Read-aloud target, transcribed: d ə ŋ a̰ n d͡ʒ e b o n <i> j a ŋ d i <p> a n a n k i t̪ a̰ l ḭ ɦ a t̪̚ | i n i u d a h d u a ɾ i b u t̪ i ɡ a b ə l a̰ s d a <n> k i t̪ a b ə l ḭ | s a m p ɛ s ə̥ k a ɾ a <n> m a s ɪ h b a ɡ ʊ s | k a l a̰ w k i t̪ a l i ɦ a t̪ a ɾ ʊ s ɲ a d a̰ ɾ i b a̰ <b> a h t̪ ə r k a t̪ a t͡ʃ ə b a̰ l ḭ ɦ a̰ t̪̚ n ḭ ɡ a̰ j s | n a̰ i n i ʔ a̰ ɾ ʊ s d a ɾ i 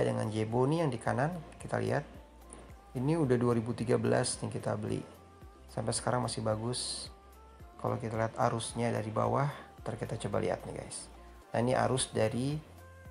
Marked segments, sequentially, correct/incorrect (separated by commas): correct, incorrect, incorrect, incorrect, incorrect